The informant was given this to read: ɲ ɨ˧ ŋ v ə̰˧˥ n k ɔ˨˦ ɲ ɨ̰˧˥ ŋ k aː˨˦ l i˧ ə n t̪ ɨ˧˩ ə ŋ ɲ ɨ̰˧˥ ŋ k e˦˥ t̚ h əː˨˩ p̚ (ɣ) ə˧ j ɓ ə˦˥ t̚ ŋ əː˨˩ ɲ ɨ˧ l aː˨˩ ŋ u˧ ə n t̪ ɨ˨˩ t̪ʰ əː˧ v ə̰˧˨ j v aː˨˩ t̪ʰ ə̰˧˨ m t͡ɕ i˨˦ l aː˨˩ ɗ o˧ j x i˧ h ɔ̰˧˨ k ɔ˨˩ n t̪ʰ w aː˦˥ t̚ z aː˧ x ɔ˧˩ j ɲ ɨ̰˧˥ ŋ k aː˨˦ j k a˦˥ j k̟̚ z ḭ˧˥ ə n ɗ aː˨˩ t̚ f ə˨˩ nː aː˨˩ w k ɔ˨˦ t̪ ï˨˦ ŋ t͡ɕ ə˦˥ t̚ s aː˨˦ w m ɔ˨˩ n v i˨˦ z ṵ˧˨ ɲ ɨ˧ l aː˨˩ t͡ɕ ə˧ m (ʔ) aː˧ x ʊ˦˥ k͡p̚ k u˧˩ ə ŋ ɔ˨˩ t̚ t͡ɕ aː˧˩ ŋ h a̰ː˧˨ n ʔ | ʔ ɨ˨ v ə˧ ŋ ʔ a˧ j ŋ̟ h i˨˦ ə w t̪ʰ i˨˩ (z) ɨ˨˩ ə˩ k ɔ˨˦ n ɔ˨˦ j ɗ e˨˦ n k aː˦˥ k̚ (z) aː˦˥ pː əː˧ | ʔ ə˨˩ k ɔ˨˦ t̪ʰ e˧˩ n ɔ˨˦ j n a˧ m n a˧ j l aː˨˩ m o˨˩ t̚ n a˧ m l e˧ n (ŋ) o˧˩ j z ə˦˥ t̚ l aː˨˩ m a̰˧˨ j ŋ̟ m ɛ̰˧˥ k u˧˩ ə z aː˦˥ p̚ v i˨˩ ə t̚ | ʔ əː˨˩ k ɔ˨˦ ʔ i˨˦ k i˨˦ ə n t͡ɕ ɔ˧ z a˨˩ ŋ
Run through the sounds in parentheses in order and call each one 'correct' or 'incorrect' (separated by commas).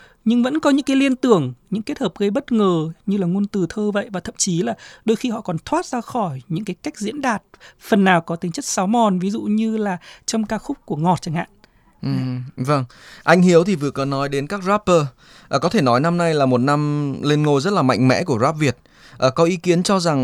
correct, incorrect, incorrect, correct, correct